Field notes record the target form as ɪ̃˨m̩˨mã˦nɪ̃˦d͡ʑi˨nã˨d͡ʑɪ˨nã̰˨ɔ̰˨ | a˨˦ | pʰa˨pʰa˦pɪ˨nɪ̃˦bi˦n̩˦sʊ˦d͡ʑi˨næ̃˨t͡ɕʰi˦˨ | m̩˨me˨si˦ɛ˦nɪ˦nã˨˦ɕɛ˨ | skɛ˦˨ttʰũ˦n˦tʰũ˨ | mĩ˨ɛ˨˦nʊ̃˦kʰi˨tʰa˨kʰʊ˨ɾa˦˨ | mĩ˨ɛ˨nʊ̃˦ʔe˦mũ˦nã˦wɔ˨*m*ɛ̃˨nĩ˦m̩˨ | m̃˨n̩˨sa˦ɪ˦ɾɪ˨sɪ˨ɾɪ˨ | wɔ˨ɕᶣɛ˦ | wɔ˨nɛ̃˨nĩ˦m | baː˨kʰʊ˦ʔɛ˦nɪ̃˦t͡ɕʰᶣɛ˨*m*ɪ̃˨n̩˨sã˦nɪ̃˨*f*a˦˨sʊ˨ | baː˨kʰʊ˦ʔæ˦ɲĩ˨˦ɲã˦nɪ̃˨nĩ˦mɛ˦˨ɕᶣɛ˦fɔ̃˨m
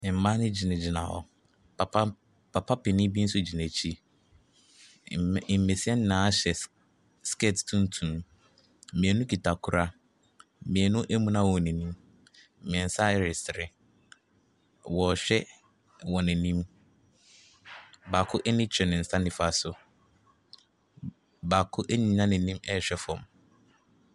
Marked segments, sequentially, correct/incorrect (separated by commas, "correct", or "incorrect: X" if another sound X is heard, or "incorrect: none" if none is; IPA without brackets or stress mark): incorrect: n, incorrect: n, correct